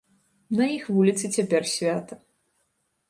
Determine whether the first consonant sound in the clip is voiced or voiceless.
voiced